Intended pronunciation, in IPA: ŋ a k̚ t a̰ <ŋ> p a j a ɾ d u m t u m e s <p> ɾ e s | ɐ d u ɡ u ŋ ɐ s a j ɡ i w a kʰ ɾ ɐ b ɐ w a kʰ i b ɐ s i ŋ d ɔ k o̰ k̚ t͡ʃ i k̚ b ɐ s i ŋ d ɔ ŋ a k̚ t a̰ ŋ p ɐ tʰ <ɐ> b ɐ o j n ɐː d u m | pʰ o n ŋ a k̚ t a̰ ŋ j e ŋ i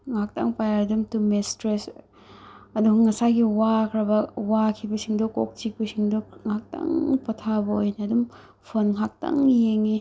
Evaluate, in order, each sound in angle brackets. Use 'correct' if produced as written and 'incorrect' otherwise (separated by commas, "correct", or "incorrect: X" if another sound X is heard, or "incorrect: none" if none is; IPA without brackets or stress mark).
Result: correct, incorrect: t, incorrect: a